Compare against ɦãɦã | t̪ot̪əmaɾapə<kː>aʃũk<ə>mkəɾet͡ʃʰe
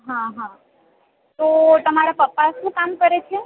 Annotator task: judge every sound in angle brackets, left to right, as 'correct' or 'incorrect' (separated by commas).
incorrect, incorrect